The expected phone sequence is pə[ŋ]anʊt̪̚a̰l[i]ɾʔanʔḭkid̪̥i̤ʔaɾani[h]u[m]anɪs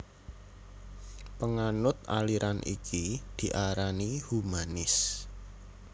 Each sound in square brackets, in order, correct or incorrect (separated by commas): correct, correct, correct, correct